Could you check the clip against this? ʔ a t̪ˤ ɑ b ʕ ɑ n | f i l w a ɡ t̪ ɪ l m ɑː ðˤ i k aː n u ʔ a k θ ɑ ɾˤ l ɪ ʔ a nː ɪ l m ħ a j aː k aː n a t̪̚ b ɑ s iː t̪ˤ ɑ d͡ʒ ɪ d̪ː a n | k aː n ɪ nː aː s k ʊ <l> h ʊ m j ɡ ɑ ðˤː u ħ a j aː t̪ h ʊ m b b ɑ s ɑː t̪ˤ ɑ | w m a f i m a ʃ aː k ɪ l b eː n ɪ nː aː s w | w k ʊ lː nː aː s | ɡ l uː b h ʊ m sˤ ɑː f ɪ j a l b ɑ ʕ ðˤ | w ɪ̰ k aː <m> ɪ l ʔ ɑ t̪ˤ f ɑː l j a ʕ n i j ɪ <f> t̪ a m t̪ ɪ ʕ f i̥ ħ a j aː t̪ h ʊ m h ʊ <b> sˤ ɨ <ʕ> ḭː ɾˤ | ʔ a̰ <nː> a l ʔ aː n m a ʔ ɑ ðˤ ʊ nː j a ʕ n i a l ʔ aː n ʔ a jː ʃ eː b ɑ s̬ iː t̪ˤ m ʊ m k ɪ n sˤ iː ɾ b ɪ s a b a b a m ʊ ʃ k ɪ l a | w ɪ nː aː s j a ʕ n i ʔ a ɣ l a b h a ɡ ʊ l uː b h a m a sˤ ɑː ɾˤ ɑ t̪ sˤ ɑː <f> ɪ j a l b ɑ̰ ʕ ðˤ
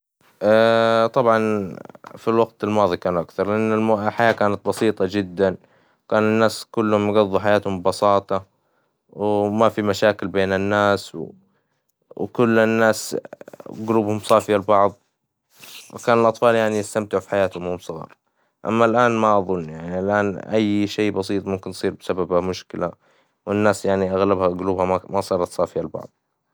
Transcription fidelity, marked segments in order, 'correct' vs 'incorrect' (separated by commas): incorrect, incorrect, incorrect, incorrect, incorrect, incorrect, correct